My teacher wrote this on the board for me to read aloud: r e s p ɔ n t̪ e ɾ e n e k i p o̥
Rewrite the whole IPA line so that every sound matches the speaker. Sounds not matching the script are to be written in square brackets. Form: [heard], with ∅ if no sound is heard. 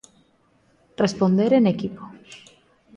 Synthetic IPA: r e s p [o] n [d̪] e ɾ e n e k i p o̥